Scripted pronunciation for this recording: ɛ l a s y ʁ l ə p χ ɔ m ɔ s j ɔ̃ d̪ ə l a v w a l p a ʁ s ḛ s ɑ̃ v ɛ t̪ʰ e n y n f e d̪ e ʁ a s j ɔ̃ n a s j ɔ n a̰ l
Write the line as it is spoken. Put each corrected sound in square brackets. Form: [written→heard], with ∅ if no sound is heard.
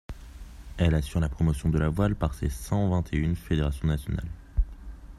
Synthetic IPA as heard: ɛ l a s y ʁ l [ə→a] p χ ɔ m ɔ s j ɔ̃ d̪ ə l a v w a l p a ʁ s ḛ s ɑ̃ v [ɛ→ɛ̃] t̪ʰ e [n→∅] y n f e d̪ e ʁ a s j ɔ̃ n a s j ɔ n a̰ l